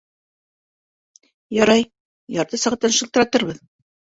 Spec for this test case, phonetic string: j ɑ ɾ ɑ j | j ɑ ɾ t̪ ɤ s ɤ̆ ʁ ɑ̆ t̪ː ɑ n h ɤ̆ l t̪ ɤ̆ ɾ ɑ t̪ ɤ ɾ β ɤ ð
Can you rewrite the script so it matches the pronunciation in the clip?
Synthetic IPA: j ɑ ɾ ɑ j | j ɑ ɾ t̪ ɤ s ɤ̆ ʁ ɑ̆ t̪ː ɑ n ʃ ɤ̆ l t̪ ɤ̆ ɾ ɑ t̪ ɤ ɾ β ɤ ð

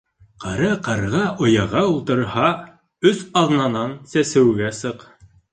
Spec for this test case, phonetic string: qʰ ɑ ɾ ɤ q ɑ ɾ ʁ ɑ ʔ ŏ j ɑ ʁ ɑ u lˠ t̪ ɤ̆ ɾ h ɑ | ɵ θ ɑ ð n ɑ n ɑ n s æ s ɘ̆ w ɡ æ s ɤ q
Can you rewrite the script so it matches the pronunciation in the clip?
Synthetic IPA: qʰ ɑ ɾ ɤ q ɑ ɾ ʁ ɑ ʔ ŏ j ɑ ʁ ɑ u lˠ t̪ ɤ̆ ɾ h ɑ | ɵ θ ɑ ð n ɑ n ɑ n s æ s ɘ̆ w ɡ æ s ɤ q

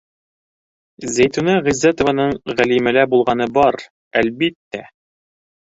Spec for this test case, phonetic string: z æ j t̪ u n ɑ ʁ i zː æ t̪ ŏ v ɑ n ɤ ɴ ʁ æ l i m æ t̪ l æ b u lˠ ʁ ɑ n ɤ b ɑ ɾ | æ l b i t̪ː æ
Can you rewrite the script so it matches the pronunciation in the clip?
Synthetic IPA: z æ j t̪ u n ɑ ʁ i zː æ t̪ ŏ v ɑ n ɤ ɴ ʁ æ l i m æ l æ b u lˠ ʁ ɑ n ɤ b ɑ ɾ | æ l b i t̪ː æ

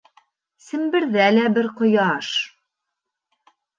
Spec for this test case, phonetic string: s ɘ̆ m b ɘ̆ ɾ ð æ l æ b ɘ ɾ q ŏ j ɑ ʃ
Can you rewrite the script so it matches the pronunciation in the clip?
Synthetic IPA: s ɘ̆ m b ɘ̆ ɾ ð æ l æ b ɘ ɾ q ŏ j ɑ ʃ

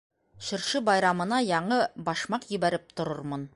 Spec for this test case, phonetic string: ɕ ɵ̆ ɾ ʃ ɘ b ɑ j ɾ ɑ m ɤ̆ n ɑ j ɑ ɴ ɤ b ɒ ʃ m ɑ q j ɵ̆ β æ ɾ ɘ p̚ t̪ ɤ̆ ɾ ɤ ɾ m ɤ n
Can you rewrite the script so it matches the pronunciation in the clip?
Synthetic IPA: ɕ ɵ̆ ɾ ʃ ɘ b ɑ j ɾ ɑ m ɤ̆ n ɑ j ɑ ɴ ɤ b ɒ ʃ m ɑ q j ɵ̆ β æ ɾ ɘ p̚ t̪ ŏ ɾ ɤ ɾ m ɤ n

